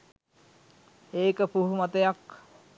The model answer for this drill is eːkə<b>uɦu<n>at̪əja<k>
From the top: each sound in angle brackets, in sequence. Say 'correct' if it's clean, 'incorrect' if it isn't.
incorrect: p, incorrect: m, correct

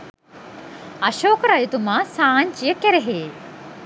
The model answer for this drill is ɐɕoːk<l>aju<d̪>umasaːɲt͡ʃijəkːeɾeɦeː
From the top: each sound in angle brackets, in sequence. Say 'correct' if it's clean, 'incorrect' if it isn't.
incorrect: ɾ, incorrect: t̪

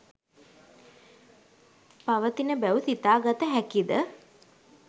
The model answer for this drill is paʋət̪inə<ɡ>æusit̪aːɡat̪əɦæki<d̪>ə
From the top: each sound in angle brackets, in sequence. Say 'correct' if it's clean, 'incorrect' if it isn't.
incorrect: b, correct

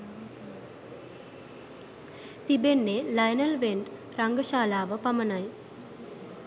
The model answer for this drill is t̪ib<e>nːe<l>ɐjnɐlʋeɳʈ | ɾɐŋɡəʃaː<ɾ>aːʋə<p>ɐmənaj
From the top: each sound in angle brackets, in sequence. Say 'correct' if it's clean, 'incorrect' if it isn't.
correct, correct, incorrect: l, correct

